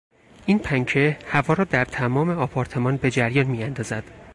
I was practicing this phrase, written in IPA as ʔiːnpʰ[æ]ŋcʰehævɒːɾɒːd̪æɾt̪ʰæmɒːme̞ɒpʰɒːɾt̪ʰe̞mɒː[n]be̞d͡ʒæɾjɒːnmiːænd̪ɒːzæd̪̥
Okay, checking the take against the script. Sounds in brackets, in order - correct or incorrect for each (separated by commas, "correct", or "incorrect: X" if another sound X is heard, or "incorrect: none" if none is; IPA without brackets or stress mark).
correct, correct